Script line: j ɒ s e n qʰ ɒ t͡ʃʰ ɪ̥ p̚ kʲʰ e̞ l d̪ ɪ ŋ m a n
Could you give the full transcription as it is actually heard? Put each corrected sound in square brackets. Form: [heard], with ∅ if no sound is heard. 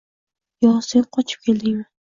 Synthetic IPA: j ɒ s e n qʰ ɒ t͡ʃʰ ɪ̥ p̚ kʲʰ e̞ l d̪ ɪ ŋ m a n